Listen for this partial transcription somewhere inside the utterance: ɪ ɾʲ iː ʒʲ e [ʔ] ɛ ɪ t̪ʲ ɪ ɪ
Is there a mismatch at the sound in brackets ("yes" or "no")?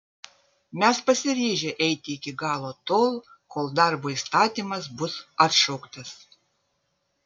no